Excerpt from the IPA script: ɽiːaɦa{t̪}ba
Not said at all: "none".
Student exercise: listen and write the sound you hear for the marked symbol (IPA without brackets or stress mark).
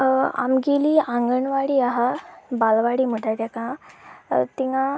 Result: none